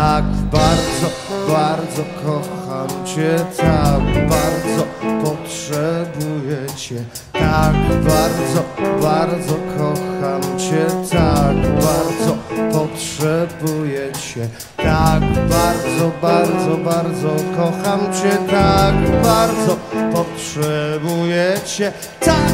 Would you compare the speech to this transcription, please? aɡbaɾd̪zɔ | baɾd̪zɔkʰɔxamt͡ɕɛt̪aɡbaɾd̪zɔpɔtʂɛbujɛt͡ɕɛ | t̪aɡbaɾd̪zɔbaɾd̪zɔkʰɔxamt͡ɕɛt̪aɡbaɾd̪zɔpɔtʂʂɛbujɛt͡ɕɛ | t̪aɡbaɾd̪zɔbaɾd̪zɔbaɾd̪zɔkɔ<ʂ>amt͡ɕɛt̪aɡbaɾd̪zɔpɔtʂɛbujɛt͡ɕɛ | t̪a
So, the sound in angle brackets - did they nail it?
no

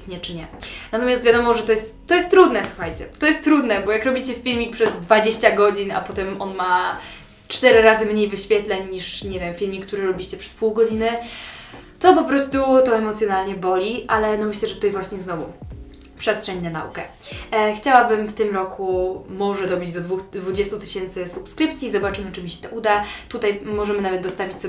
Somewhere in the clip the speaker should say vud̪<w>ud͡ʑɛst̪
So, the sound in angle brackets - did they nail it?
no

